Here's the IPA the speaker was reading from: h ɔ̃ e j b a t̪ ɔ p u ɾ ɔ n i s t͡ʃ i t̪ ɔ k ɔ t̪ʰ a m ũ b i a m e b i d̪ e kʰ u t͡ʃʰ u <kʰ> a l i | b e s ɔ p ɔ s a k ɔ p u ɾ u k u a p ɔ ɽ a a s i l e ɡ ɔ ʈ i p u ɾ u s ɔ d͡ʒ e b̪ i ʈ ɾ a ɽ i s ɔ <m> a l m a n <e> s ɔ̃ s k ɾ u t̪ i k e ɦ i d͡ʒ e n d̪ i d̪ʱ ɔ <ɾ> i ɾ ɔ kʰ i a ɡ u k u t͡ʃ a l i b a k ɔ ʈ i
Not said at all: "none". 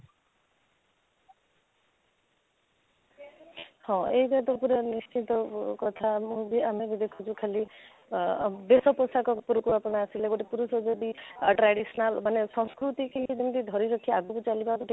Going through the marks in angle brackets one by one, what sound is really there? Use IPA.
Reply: kʰ, n, e, ɾ

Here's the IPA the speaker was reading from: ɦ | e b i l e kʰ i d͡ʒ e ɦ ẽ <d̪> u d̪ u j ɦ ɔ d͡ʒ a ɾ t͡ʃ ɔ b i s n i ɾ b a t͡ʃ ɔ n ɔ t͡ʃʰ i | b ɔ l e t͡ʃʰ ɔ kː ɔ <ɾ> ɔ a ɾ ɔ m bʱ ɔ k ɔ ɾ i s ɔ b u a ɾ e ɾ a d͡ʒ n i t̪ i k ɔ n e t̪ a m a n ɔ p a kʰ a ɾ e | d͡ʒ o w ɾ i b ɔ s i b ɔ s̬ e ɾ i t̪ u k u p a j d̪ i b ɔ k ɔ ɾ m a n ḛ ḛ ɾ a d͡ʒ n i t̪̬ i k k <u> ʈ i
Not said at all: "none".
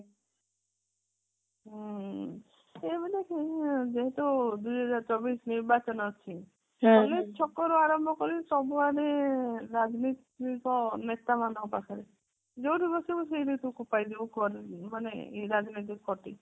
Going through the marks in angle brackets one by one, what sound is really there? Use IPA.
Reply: t̪, ɾ, ɔ

